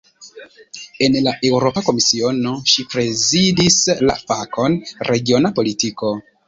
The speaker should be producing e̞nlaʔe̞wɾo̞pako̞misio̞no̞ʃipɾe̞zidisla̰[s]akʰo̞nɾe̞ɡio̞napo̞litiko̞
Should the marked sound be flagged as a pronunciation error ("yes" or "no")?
yes